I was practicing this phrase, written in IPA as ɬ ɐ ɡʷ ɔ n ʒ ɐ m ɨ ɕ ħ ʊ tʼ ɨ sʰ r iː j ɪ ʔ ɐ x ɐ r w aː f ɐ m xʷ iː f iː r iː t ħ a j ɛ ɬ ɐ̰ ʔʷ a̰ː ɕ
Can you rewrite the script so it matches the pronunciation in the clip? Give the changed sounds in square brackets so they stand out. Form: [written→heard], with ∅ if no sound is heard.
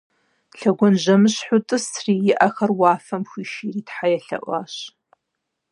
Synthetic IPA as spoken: ɬ ɐ ɡʷ ɔ n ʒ ɐ m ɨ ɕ ħ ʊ tʼ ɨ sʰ r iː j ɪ ʔ ɐ x ɐ r w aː f ɐ m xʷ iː [f→ʃ] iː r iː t ħ a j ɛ ɬ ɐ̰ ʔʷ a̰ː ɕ